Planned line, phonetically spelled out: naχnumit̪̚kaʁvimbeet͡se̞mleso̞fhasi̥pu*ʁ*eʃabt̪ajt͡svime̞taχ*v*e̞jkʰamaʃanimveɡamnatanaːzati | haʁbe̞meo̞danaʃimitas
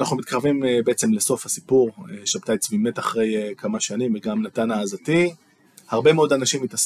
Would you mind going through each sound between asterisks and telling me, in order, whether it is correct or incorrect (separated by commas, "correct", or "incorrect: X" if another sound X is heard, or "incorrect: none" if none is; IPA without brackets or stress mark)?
correct, incorrect: ʁ